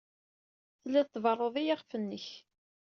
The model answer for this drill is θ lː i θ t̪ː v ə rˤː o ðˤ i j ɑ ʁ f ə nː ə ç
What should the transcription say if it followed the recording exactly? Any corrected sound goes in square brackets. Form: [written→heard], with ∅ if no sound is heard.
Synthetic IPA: θ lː [i→æ] θ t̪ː v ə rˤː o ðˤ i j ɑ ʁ f ə nː ə ç